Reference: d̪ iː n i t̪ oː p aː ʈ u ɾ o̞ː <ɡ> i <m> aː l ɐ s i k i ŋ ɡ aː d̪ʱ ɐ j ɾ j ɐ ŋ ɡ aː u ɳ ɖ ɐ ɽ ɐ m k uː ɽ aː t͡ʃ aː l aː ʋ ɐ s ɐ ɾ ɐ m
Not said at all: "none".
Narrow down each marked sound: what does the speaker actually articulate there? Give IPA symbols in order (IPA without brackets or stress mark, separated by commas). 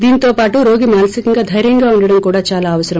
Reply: ɡ, m